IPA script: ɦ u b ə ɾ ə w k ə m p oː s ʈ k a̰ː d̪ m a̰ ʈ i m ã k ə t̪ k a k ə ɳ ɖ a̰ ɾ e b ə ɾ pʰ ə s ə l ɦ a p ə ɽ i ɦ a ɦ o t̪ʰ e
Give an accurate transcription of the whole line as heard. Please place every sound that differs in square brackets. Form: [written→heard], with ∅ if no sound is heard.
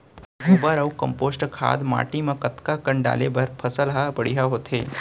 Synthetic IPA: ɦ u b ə ɾ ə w k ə m p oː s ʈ [k→kʰ] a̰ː d̪ m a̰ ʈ i m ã k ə t̪ k a k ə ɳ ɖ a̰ [ɾ→l] e b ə ɾ pʰ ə s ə l ɦ a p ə ɽ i ɦ a ɦ o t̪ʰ e

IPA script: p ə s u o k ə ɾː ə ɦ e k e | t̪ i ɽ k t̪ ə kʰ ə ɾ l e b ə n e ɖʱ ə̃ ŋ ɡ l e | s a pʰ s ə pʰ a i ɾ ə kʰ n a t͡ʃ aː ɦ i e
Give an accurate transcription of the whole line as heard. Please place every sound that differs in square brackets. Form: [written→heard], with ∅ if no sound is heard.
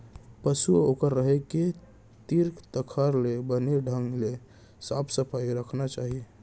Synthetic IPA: p ə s u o k ə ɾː ə ɦ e k e | t̪ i [ɽ→ɾ] k t̪ ə kʰ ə ɾ l e b ə n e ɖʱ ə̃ ŋ ɡ l e | s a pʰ s ə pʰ a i ɾ ə kʰ n a t͡ʃ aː ɦ i e

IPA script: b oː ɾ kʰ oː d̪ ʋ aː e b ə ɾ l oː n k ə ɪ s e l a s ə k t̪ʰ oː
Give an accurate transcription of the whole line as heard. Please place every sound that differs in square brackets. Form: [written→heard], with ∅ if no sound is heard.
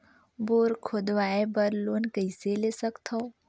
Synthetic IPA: b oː ɾ kʰ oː d̪ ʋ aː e b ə ɾ l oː n k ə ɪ s e l [a→e] s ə k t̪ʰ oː

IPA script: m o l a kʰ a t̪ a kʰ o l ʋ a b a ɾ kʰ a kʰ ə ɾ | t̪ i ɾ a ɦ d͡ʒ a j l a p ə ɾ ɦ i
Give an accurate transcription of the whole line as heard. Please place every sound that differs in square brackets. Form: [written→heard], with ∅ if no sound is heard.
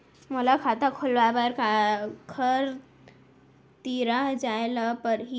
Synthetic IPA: m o l a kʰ a t̪ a kʰ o l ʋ a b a ɾ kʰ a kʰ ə ɾ | t̪ i ɾ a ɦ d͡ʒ a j l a p ə ɾ ɦ i

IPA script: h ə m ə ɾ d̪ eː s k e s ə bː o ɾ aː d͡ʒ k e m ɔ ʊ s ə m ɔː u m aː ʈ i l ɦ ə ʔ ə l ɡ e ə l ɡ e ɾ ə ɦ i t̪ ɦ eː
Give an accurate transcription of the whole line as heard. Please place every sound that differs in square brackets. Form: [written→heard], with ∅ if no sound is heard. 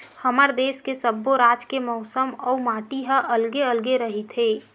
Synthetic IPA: h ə m ə ɾ d̪ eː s k e s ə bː o ɾ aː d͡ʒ k e m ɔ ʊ s ə m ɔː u m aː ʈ i [l→∅] ɦ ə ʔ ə l ɡ e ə l ɡ e ɾ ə ɦ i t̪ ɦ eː

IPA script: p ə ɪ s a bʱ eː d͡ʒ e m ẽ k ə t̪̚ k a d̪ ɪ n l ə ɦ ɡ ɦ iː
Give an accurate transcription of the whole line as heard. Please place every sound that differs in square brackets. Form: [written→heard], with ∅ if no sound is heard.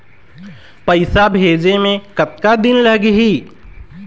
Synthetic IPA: p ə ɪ s a bʱ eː d͡ʒ e m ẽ k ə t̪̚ k a d̪ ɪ n l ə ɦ ɡ ɦ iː

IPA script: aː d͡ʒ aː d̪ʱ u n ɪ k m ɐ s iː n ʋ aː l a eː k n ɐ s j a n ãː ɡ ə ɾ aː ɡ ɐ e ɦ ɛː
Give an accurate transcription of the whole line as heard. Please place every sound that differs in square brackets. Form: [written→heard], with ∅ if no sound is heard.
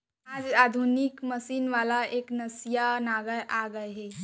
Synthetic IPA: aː d͡ʒ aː d̪ʱ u n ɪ k m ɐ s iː n ʋ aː l a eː k n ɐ s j a n [ãː→aː] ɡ ə ɾ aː ɡ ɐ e ɦ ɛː

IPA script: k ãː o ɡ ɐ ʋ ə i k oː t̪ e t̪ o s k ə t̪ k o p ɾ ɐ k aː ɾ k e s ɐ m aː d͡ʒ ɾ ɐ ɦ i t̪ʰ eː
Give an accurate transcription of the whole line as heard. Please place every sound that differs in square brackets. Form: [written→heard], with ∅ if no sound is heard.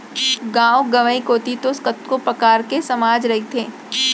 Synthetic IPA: [k→ɡ] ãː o ɡ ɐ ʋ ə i k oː t̪ [e→i] t̪ o s k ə t̪ k o p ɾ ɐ k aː ɾ k e s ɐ m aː d͡ʒ ɾ ɐ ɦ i t̪ʰ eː

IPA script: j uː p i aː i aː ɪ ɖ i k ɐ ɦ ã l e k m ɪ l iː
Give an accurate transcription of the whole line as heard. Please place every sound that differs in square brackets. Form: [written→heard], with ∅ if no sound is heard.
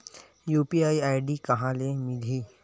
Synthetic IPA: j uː p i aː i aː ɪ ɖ i k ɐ ɦ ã l e [k→∅] m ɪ l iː

